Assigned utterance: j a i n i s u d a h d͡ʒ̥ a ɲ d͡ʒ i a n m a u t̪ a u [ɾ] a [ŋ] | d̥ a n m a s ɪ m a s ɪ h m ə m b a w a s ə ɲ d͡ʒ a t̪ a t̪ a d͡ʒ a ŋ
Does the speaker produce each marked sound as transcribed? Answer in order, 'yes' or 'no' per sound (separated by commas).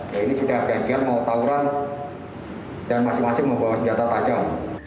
yes, no